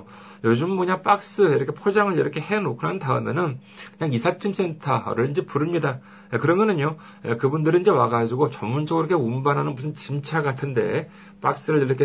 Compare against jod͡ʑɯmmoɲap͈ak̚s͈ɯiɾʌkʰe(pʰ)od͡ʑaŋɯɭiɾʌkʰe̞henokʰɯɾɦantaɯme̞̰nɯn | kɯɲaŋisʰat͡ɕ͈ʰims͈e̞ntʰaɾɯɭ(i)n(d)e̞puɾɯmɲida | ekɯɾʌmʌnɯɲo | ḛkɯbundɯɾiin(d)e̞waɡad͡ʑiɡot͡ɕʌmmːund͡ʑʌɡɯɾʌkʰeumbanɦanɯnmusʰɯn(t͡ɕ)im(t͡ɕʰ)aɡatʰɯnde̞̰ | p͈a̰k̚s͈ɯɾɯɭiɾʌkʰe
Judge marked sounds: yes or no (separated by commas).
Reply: yes, yes, no, no, yes, yes